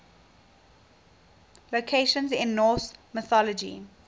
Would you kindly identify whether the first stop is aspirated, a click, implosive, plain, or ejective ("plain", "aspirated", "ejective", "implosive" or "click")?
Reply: aspirated